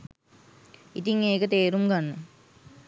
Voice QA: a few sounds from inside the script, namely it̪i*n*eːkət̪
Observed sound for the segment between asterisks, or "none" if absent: ŋ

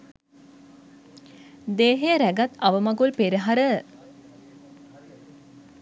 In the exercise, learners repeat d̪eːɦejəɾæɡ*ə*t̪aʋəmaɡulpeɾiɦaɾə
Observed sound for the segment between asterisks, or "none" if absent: a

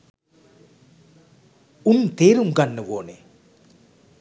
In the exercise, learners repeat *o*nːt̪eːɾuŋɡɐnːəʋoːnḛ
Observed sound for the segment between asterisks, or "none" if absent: u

